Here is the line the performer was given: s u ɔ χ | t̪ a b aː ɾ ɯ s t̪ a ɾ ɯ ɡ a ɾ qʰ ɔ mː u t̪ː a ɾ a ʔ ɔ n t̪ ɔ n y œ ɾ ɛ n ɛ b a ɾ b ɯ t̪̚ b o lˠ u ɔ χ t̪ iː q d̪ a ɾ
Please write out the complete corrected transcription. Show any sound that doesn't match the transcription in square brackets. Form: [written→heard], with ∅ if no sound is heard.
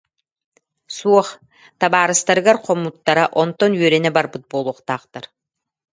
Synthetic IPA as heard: s u ɔ χ | t̪ a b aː ɾ ɯ s t̪ a ɾ ɯ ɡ a ɾ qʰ ɔ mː u t̪ː a ɾ a ʔ ɔ n t̪ ɔ n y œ ɾ ɛ n ɛ b a ɾ b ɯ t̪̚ b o lˠ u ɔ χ t̪ [iː→aː] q [d̪→t̪] a ɾ